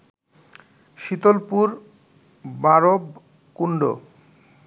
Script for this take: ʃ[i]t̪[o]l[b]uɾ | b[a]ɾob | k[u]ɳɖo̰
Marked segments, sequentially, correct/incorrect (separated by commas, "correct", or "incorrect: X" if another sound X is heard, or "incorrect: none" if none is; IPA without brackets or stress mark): correct, correct, incorrect: p, correct, correct